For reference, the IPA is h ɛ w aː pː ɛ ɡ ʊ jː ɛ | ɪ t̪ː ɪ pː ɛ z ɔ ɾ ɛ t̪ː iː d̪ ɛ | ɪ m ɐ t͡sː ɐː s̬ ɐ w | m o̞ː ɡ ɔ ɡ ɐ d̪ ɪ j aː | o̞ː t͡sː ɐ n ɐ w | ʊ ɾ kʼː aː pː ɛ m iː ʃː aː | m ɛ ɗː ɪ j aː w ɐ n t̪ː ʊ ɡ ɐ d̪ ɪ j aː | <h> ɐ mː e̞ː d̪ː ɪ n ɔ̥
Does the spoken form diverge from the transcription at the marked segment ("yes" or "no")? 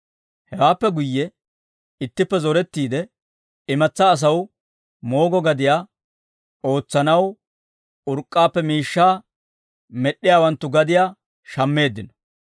yes